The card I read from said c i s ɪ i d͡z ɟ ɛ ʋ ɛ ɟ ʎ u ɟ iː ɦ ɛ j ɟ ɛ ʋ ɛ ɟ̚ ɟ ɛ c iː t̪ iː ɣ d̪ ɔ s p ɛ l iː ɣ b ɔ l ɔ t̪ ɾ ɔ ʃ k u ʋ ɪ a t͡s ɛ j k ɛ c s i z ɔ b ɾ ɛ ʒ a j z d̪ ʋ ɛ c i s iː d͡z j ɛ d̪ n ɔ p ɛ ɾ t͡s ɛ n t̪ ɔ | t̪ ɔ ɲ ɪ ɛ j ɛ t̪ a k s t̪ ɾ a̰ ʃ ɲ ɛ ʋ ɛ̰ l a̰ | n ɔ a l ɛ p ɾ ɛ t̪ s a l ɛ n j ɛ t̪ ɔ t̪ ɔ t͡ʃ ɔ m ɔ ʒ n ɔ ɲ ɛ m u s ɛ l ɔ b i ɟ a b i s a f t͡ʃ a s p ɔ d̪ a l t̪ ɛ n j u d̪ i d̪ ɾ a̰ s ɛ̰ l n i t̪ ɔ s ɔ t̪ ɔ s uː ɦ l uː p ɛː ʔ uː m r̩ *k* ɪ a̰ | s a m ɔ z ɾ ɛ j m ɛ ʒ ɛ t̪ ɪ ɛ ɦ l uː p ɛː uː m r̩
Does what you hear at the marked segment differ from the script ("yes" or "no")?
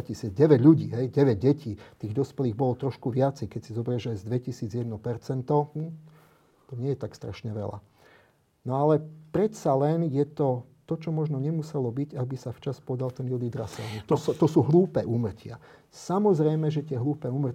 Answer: yes